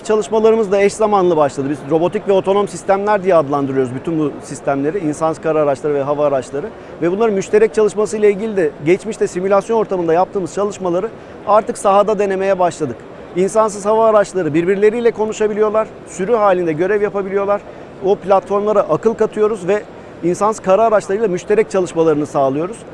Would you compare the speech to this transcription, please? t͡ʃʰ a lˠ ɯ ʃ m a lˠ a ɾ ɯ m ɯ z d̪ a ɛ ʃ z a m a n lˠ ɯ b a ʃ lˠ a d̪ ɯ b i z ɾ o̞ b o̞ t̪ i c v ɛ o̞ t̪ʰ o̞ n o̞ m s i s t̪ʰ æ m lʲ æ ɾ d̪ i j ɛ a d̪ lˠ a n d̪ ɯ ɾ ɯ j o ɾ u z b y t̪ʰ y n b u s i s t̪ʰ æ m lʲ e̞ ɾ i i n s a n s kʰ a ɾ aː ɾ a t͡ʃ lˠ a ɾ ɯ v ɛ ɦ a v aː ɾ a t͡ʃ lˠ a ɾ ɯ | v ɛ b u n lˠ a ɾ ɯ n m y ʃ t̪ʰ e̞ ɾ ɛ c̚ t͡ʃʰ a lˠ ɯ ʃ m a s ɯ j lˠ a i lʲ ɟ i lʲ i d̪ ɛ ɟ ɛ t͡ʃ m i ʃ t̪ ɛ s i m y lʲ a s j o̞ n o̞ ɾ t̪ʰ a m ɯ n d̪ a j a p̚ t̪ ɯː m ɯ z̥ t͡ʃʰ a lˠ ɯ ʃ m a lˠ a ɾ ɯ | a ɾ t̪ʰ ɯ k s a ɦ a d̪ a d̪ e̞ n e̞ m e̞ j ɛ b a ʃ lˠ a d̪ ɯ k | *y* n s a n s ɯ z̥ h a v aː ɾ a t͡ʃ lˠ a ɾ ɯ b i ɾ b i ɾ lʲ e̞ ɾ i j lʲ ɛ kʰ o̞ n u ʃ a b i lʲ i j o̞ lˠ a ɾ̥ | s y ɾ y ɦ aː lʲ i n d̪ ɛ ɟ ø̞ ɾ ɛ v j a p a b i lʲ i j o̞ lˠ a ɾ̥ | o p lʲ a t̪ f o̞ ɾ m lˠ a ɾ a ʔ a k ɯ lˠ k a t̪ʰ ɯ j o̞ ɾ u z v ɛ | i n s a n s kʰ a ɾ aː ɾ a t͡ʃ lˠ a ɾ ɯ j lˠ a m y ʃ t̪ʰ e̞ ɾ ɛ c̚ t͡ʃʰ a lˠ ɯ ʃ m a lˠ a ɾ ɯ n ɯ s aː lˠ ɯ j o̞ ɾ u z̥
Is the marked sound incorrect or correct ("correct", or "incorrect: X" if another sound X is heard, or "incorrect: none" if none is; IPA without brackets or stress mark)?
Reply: incorrect: i